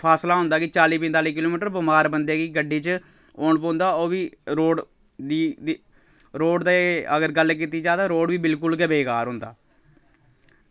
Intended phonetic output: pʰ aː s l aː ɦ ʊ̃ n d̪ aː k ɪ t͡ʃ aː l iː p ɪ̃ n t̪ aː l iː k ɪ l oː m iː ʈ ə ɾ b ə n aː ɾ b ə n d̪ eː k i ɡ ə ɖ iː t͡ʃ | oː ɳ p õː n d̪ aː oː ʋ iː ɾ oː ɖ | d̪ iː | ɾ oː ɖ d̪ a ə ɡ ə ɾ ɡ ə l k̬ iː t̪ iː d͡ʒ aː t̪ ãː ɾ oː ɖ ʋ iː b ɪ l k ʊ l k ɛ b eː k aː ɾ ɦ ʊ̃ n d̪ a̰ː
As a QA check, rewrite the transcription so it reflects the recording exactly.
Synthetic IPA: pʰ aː s l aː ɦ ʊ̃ n d̪ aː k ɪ t͡ʃ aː l iː p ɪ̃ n t̪ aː l iː k ɪ l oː m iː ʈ ə ɾ b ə m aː ɾ b ə n d̪ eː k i ɡ ə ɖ iː t͡ʃ | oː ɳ p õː n d̪ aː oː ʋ iː ɾ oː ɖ | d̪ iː | ɾ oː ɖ d̪ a ə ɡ ə ɾ ɡ ə l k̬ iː t̪ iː d͡ʒ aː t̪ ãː ɾ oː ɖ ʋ iː b ɪ l k ʊ l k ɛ b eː k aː ɾ ɦ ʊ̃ n d̪ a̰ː